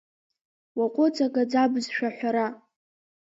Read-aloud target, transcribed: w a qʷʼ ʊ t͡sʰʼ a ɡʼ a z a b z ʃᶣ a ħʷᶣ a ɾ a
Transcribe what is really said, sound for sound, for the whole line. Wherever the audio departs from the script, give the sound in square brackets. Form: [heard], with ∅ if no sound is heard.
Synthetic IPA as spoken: w a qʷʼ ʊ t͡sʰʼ a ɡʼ a [d͡z] a b z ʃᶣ a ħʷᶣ a ɾ a